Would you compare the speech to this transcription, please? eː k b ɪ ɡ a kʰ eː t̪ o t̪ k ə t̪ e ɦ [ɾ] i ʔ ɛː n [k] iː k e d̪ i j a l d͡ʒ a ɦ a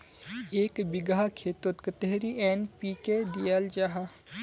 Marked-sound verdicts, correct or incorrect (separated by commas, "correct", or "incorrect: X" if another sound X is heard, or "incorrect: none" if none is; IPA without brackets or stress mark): correct, incorrect: p